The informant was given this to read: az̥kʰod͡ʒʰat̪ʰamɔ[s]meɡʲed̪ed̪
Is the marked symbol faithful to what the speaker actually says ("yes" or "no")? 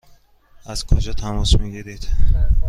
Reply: yes